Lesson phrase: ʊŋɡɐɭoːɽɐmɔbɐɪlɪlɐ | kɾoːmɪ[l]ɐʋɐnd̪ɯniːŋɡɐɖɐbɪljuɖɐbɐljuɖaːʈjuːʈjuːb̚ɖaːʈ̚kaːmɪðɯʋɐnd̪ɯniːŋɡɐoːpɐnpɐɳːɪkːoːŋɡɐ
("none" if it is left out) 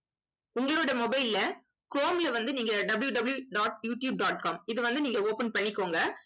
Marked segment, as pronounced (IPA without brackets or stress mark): l